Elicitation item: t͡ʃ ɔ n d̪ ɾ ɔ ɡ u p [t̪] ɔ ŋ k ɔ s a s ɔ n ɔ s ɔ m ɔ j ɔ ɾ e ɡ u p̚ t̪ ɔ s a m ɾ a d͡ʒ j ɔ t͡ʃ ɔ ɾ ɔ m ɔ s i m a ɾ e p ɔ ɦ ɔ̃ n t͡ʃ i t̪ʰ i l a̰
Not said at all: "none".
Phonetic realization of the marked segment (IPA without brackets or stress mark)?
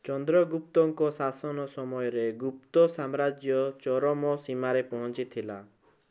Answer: t̪